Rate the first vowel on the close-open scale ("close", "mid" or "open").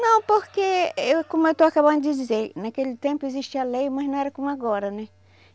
open